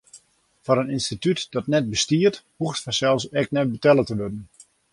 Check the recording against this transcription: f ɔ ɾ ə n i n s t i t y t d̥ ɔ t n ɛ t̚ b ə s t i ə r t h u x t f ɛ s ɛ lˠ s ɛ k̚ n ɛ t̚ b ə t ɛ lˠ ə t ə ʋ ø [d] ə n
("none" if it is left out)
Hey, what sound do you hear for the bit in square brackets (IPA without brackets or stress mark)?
d